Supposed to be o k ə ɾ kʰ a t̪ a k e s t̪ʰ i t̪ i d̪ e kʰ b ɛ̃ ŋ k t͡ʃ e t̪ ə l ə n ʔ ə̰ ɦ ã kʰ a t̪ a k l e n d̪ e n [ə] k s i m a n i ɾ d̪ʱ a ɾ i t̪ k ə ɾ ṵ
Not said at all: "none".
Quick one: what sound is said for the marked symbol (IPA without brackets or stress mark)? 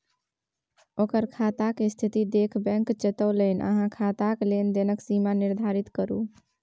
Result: ə